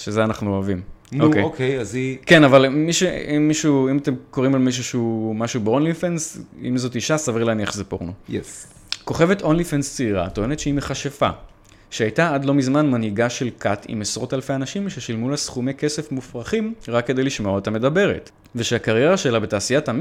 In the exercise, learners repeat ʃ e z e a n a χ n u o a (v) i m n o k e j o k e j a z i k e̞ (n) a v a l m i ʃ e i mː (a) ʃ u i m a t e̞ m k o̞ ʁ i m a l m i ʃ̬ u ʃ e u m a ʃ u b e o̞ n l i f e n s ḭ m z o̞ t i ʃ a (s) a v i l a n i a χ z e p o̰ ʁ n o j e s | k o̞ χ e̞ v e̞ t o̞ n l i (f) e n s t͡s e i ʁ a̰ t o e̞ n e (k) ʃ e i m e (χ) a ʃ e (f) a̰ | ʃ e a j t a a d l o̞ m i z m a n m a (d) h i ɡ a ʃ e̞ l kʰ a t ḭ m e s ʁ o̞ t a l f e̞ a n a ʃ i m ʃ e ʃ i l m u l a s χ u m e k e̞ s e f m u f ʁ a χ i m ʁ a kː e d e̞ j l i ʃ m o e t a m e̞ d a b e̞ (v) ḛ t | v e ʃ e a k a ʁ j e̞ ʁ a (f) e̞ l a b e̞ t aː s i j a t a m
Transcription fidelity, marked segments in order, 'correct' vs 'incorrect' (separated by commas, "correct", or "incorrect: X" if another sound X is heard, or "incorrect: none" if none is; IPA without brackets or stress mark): correct, correct, incorrect: i, correct, correct, incorrect: t, correct, correct, incorrect: n, incorrect: ʁ, incorrect: ʃ